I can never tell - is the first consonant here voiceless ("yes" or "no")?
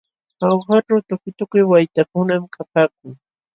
no